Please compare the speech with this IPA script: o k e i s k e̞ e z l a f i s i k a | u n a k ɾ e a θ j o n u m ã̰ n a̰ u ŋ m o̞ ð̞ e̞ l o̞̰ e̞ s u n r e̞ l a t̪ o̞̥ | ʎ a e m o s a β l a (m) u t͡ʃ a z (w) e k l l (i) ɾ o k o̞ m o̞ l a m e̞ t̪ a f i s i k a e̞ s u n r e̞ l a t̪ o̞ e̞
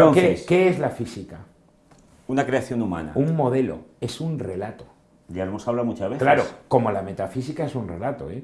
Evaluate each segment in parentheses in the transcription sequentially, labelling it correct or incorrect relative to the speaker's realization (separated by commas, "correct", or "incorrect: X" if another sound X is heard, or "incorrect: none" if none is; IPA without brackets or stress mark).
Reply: correct, incorrect: β, incorrect: a